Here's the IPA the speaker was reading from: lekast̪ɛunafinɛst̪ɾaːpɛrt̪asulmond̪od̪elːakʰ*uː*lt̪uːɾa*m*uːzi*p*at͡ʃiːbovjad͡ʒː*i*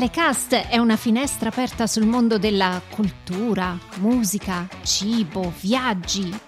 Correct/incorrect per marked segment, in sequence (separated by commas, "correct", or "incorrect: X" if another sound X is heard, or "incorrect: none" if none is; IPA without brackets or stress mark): incorrect: u, correct, incorrect: k, correct